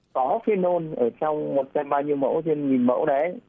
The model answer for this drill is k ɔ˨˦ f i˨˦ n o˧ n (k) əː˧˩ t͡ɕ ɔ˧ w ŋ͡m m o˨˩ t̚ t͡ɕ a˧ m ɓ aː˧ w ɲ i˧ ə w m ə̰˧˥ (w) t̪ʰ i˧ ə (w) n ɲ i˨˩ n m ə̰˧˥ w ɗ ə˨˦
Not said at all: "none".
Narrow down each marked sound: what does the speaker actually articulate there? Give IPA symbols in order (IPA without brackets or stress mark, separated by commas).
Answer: ʔ, w, none